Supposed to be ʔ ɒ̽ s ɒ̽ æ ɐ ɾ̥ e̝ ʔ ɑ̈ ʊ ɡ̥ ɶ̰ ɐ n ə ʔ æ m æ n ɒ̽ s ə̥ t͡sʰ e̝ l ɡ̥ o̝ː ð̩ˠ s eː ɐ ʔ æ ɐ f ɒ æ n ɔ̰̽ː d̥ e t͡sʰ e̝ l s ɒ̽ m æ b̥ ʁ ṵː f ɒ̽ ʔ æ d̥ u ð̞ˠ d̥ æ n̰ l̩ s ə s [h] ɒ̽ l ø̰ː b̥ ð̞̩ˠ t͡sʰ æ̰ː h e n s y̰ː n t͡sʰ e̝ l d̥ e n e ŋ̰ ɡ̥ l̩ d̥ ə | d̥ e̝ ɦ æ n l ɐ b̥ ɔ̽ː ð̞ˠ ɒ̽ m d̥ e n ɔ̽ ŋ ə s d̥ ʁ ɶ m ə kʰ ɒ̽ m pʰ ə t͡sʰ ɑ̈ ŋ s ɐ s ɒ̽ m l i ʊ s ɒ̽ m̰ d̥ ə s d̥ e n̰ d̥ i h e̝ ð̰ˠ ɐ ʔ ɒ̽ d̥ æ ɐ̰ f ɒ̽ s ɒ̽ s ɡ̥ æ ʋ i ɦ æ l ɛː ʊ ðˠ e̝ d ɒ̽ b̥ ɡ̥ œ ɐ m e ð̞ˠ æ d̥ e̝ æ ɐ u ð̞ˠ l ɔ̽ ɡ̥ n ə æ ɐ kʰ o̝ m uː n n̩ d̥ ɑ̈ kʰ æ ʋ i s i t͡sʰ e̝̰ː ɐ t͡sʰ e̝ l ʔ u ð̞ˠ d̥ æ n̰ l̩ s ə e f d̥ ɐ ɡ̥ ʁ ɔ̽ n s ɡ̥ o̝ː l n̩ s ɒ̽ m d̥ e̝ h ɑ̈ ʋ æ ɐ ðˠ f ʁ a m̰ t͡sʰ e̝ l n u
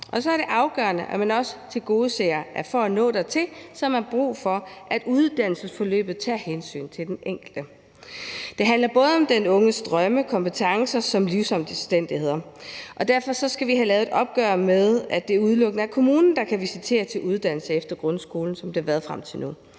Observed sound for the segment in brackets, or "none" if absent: f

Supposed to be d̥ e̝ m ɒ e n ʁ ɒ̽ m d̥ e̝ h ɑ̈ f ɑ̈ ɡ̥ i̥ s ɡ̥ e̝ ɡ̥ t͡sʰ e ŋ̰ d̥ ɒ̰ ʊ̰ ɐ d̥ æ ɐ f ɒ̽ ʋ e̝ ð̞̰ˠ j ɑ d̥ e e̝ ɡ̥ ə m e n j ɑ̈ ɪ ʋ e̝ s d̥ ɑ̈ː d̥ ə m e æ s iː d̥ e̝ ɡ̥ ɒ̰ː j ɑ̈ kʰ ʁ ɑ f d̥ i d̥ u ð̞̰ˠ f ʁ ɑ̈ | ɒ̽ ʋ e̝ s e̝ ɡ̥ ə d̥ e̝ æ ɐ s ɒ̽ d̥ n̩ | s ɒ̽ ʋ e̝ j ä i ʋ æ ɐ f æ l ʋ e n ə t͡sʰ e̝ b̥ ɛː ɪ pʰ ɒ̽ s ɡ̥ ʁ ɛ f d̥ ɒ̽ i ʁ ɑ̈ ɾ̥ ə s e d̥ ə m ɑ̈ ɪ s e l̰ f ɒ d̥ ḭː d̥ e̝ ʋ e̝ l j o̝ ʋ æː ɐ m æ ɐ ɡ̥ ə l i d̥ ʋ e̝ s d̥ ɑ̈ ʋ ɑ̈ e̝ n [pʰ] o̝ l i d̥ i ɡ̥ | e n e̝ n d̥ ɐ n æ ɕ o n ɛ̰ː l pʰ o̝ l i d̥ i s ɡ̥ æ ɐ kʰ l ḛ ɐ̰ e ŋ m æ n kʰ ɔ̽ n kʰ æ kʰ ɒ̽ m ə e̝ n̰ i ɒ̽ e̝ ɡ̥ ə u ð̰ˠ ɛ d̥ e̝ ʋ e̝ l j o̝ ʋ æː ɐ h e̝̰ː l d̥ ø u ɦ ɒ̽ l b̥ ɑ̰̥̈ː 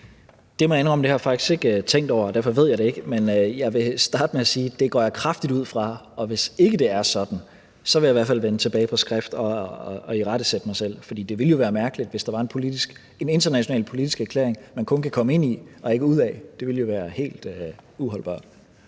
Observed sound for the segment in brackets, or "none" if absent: pʰ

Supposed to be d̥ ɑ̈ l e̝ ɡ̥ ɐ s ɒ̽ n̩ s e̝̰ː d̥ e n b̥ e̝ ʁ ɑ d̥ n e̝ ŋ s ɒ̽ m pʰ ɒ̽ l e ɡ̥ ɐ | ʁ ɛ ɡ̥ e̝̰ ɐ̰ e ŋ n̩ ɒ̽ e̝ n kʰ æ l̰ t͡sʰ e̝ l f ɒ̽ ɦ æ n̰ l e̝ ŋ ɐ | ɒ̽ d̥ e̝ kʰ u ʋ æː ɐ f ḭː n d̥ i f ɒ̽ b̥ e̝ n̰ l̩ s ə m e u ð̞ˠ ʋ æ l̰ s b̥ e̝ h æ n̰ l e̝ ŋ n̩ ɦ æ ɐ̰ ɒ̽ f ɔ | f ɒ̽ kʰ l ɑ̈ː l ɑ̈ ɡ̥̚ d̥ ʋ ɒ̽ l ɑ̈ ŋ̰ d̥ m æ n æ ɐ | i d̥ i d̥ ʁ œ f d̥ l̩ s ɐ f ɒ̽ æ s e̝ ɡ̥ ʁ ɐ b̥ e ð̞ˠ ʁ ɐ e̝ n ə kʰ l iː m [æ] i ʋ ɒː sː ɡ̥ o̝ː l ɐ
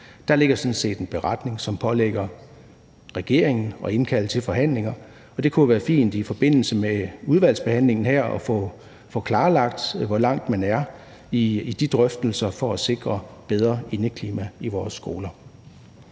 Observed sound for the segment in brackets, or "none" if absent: æ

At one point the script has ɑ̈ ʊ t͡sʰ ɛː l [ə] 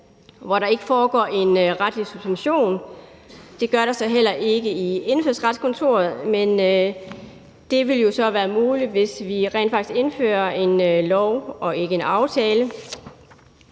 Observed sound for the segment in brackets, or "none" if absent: ə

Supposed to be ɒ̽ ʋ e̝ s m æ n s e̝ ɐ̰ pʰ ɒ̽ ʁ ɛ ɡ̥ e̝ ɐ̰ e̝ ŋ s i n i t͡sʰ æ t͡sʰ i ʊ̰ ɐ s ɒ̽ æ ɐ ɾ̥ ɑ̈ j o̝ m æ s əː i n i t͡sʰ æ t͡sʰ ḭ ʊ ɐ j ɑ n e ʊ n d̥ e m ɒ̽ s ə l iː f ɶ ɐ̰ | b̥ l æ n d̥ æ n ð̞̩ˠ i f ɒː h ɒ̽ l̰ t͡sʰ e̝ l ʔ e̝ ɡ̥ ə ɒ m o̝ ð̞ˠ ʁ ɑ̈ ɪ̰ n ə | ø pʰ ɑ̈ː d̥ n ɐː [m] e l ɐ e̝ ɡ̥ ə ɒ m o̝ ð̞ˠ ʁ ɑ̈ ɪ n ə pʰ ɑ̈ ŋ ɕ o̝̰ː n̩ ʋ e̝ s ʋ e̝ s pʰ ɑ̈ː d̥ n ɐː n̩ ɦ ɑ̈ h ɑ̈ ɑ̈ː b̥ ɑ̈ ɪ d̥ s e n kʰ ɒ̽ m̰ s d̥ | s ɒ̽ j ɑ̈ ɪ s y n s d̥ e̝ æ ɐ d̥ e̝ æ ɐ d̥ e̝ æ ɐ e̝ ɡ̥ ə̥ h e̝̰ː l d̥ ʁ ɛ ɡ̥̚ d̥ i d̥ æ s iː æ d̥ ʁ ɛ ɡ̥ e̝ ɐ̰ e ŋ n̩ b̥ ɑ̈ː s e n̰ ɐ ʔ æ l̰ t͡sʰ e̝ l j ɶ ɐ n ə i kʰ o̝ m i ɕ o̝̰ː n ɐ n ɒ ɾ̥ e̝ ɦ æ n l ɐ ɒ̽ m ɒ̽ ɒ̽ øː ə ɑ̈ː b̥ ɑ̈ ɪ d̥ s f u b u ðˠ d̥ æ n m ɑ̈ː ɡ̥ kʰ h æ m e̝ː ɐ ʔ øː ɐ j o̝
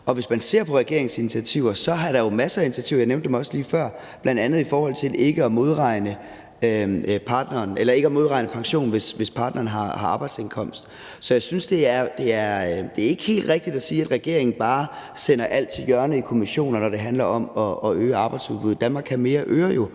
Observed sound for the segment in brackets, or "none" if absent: n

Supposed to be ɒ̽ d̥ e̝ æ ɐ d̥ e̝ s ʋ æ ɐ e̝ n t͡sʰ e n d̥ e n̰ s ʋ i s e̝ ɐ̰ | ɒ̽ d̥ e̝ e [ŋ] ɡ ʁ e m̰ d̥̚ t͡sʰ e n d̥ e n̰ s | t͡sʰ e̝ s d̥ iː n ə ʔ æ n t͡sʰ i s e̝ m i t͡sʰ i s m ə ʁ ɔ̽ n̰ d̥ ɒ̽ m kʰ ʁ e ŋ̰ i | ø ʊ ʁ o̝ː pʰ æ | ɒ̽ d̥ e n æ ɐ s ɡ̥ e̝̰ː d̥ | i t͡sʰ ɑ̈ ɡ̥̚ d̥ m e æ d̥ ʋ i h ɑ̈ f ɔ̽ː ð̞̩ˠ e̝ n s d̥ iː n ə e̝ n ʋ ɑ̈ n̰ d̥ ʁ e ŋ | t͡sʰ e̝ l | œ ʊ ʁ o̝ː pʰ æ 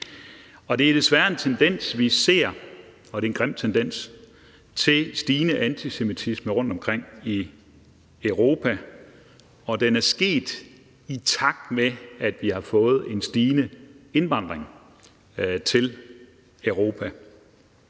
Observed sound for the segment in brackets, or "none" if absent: n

